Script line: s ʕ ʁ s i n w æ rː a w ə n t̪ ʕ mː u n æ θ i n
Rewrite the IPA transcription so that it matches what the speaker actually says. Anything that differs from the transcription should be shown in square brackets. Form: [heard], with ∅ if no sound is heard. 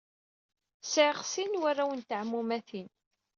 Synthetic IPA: s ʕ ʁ s i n w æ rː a w ə n t̪ ʕ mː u [m] æ θ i n